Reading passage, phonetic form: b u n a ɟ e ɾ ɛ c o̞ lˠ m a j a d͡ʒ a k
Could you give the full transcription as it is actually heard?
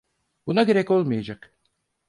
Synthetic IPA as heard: b u n a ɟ e ɾ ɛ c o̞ lˠ m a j a d͡ʒ a k